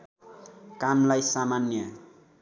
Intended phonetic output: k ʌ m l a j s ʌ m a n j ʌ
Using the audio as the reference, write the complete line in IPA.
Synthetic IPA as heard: k a m l a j s a m a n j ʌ